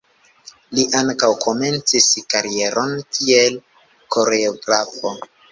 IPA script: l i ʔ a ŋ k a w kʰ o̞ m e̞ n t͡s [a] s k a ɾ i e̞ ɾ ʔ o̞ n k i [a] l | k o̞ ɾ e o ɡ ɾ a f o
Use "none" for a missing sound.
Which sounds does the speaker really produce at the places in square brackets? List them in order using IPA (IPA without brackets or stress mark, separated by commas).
i, e